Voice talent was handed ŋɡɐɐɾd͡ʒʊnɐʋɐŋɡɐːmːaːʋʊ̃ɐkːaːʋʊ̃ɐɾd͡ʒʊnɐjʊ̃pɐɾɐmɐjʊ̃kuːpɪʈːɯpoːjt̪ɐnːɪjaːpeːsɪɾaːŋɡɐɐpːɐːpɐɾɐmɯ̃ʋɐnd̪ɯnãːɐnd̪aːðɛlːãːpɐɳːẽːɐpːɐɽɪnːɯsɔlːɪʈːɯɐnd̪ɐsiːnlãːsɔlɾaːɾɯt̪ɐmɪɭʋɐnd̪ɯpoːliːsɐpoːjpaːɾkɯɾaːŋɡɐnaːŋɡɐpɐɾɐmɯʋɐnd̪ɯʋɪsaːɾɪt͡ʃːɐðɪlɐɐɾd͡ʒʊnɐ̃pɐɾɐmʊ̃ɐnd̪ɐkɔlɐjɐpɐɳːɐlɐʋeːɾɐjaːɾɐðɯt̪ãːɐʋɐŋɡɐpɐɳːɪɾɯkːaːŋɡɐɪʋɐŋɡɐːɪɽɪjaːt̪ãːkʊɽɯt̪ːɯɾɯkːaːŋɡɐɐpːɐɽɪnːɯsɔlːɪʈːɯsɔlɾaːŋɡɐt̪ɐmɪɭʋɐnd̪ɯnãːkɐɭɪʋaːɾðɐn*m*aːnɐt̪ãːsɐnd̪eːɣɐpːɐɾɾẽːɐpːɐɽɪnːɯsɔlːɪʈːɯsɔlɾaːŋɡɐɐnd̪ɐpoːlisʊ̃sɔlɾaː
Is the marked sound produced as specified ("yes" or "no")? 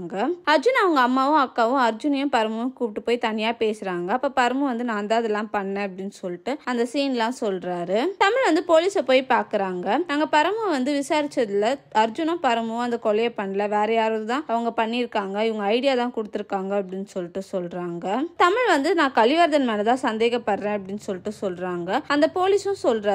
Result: yes